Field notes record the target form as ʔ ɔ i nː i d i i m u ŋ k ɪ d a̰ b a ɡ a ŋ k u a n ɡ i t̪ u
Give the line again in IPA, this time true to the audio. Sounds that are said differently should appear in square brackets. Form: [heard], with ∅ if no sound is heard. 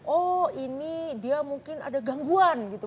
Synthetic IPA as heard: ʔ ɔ i [n] i d i [a] m u ŋ k ɪ [n] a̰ [d] a ɡ a ŋ [ɡ] u a n ɡ i t̪ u